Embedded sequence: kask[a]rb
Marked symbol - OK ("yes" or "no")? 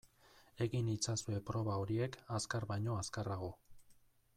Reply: yes